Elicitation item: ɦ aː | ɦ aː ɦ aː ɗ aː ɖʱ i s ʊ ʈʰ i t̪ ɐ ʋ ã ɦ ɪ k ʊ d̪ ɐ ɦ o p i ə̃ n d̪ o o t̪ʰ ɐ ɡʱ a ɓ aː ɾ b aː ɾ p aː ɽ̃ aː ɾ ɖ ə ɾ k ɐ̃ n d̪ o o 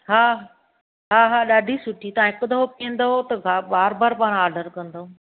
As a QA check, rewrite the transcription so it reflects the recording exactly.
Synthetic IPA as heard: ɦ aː | ɦ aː ɦ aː ɗ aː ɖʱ i s ʊ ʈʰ i t̪ ɐ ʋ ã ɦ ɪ k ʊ d̪ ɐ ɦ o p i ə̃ n d̪ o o t̪ ɐ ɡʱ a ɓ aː ɾ b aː ɾ p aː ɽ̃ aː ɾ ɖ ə ɾ k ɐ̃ n d̪ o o